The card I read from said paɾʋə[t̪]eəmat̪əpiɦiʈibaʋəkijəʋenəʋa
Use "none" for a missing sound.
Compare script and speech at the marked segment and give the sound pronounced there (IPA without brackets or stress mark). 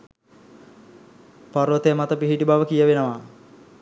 t̪